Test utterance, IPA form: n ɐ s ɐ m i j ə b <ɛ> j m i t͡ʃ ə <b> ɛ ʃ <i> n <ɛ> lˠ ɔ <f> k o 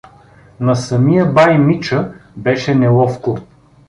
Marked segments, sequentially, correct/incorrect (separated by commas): incorrect, correct, incorrect, correct, correct